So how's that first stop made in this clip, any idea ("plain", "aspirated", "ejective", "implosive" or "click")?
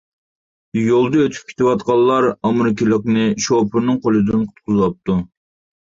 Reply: plain